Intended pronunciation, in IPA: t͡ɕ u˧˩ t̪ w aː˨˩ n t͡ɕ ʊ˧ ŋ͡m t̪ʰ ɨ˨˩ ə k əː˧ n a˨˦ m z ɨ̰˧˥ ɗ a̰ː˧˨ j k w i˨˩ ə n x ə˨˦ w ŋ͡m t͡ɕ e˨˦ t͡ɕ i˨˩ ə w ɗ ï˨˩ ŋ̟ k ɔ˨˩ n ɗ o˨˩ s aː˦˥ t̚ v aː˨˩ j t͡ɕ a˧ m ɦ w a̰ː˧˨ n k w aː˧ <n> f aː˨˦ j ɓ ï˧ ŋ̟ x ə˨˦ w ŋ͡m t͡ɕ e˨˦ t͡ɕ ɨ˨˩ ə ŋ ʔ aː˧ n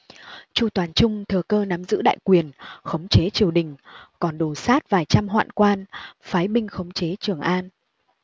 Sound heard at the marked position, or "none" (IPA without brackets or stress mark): n